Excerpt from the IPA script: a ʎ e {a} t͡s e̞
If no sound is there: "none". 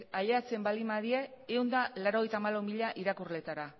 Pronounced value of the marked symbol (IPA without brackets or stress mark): a